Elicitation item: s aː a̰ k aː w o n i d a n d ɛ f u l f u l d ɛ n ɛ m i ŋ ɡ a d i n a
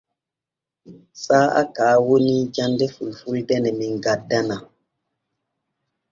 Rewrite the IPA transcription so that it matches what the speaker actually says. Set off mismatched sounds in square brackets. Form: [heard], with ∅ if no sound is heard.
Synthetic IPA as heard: s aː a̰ k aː w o n i [d͡ʒ] a n d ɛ f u l f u l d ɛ n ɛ m i ŋ ɡ a d [a] n a

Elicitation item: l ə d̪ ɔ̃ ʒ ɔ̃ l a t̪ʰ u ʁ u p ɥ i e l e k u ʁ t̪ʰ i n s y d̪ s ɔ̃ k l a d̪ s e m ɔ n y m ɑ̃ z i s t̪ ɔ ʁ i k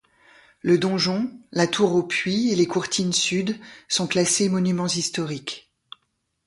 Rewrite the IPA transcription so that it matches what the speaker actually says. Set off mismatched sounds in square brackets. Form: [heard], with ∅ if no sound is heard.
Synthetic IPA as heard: l ə d̪ ɔ̃ ʒ ɔ̃ l a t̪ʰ u ʁ [o] p ɥ i e l e k u ʁ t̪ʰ i n s y d̪ s ɔ̃ k l a [∅] s e m ɔ n y m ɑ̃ z i s t̪ ɔ ʁ i k

